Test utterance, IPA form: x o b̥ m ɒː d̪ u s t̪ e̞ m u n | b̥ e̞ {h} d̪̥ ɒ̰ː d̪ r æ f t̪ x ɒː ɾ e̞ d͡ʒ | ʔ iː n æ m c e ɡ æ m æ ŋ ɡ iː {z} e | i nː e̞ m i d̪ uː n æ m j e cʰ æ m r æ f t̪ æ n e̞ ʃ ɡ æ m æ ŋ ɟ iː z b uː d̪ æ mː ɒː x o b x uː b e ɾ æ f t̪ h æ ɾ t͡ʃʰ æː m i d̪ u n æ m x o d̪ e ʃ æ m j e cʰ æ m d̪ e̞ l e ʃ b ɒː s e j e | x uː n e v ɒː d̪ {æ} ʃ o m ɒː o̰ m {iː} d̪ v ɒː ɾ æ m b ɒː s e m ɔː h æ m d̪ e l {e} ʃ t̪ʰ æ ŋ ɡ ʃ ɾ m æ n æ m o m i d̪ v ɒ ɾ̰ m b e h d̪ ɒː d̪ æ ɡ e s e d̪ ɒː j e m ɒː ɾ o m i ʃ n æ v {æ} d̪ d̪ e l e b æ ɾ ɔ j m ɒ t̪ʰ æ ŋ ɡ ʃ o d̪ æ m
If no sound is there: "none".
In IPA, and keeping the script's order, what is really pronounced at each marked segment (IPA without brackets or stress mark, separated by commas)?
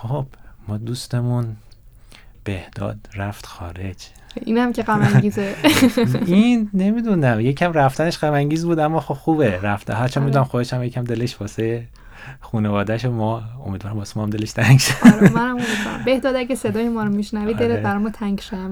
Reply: h, z, æ, i, e, i